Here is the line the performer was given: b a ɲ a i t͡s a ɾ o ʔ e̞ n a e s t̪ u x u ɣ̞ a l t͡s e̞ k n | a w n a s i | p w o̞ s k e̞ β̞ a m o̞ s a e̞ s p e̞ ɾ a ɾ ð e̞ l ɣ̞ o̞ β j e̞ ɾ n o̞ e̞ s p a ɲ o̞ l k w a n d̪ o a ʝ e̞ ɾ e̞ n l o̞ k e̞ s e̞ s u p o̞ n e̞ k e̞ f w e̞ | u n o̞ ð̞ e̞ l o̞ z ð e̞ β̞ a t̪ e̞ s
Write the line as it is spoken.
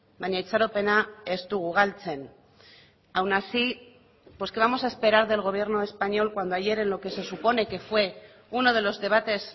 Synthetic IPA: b a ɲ a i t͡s a ɾ o p e̞ n a e s t̪ u ɣ u ɣ̞ a l t͡s e̞ n | a w n a s i | p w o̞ s k e̞ β̞ a m o̞ s a e̞ s p e̞ ɾ a ɾ ð e̞ l ɣ̞ o̞ β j e̞ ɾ n o̞ e̞ s p a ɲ o̞ l k w a n d̪ o a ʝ e̞ ɾ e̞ n l o̞ k e̞ s e̞ s u p o̞ n e̞ k e̞ f w e̞ | u n o̞ ð̞ e̞ l o̞ z ð e̞ β̞ a t̪ e̞ s